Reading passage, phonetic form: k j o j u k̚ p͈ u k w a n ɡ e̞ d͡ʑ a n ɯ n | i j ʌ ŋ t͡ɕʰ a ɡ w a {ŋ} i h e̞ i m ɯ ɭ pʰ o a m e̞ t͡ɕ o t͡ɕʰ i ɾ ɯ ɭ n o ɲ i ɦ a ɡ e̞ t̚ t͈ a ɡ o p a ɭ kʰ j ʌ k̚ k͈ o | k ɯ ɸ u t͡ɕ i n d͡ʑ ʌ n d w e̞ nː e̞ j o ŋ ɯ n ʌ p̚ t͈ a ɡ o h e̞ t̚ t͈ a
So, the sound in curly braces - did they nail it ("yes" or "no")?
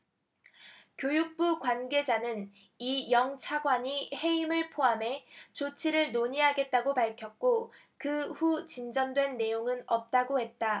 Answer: no